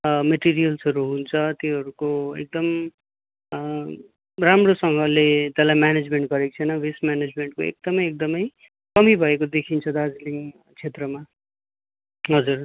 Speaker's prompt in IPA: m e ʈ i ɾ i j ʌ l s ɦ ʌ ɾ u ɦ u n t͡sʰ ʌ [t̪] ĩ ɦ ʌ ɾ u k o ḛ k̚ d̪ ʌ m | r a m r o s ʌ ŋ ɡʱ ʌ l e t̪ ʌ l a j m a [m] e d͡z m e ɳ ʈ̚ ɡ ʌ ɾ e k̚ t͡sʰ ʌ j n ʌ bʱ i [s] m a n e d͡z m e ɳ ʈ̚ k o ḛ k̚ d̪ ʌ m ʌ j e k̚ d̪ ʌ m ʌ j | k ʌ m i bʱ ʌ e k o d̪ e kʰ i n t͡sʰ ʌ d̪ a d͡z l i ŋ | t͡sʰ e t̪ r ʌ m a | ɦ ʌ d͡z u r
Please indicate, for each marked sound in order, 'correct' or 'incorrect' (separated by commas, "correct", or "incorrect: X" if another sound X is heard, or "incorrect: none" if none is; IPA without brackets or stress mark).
correct, incorrect: n, correct